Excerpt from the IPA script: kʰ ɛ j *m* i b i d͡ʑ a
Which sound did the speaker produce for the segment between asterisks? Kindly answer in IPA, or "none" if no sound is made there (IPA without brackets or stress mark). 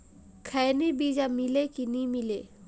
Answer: n